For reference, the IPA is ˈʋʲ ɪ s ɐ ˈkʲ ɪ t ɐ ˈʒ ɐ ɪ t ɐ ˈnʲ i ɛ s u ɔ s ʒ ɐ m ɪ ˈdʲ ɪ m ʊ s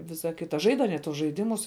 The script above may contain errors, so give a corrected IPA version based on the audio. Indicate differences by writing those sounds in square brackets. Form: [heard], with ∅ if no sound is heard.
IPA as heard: ˈʋʲ ɪ s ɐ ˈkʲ ɪ t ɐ ˈʒ ɐ ɪ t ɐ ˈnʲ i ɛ [t] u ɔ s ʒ ɐ [∅] ɪ ˈdʲ ɪ m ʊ s